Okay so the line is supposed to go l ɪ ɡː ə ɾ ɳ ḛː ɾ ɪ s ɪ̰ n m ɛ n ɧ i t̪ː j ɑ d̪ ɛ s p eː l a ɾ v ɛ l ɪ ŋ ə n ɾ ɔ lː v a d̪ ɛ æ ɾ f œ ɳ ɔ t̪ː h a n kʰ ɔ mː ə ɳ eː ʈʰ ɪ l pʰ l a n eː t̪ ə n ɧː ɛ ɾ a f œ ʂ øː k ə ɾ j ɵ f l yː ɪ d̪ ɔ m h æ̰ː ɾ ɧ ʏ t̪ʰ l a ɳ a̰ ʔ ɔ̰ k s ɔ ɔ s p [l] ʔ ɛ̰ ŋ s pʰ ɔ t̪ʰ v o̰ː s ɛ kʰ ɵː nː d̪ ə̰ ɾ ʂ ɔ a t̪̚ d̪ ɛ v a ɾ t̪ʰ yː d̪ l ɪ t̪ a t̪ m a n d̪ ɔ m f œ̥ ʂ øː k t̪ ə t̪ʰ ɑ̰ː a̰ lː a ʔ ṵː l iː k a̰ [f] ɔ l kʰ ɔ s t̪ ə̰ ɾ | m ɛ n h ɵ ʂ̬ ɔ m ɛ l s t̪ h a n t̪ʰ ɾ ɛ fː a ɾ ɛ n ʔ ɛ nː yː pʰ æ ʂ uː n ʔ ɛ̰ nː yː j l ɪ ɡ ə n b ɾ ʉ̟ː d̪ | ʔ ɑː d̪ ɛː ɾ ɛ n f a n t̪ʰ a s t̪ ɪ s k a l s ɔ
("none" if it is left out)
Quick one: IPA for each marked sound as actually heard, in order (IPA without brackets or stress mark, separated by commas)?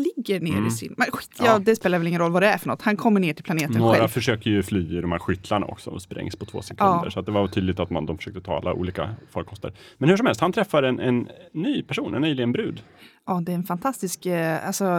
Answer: ɾ, f